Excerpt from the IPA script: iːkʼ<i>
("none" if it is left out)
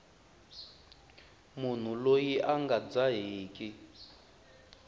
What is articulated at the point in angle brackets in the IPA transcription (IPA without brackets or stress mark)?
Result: i